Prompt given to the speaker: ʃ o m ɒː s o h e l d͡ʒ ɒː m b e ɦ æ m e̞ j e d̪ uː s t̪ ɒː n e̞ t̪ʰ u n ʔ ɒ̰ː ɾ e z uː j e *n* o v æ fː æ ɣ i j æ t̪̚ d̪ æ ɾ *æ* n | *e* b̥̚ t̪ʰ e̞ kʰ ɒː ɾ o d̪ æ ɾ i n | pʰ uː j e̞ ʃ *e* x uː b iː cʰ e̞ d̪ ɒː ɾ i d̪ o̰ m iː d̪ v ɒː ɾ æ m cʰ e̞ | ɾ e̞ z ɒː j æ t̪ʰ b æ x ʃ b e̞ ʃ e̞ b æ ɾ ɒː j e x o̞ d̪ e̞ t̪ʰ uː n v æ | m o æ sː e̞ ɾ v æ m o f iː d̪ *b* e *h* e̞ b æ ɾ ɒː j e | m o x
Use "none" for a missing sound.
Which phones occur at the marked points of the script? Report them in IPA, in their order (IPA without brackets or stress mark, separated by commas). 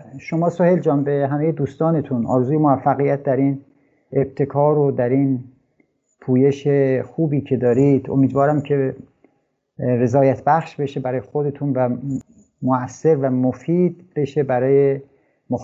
m, i, e, e, b, ʃ